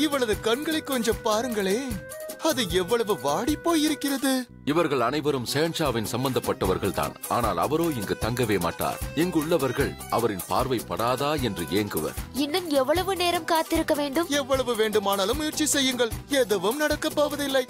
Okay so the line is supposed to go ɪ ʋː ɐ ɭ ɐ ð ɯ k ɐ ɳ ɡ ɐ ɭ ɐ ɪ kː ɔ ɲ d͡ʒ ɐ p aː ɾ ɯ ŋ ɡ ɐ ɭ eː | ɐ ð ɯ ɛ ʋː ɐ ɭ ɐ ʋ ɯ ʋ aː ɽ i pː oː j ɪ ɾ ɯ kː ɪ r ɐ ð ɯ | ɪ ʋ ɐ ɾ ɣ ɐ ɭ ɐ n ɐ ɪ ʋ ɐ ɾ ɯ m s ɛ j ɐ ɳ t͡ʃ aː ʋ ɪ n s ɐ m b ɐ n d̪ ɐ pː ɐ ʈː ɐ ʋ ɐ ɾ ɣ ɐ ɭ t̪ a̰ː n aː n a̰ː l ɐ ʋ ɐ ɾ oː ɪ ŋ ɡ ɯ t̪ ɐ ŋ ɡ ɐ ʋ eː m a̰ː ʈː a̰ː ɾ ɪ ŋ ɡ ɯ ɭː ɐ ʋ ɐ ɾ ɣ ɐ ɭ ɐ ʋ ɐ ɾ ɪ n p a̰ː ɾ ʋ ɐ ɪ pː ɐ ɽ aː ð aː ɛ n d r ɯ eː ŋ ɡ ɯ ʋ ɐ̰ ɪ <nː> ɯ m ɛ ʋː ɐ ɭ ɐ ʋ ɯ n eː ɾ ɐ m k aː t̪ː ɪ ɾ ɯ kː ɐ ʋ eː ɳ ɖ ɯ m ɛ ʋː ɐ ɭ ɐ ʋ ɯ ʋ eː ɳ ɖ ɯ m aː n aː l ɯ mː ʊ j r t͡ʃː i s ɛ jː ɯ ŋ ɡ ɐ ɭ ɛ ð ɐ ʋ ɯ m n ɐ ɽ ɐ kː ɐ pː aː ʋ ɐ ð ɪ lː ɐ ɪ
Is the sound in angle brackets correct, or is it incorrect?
correct